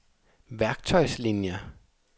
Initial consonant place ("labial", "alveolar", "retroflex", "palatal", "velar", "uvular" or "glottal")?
labial